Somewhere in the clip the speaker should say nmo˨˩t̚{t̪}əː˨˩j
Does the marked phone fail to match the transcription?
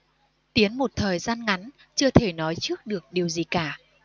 yes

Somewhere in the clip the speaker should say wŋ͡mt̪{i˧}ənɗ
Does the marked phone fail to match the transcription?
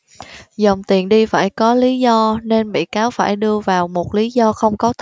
yes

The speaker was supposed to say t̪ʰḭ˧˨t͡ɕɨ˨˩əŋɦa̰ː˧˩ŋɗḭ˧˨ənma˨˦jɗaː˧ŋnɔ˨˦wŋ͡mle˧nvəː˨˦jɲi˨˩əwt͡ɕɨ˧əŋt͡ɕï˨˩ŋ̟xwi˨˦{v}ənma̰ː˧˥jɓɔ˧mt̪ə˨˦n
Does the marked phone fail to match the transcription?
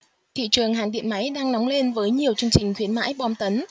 yes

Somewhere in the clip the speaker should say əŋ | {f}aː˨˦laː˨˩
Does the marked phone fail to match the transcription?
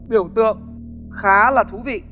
yes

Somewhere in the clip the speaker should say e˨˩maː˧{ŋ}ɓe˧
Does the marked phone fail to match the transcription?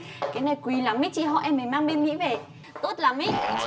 no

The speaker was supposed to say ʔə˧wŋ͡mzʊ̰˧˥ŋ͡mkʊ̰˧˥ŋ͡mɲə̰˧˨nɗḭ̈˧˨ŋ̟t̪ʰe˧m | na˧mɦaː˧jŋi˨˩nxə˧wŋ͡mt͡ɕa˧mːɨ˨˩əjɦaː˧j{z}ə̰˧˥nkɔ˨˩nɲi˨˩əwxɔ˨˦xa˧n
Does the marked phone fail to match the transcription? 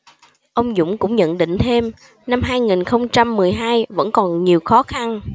yes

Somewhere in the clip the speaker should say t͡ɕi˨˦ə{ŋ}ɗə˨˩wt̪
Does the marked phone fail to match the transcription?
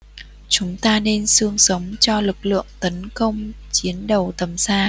yes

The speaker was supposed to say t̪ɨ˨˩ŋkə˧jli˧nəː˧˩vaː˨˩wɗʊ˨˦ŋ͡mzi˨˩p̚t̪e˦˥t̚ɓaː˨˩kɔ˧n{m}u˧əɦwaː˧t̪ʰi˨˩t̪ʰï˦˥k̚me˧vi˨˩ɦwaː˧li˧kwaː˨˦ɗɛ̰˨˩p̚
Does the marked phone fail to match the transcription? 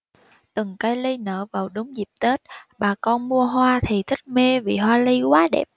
no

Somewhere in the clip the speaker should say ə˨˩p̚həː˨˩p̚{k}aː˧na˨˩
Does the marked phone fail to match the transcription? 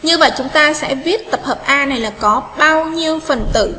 yes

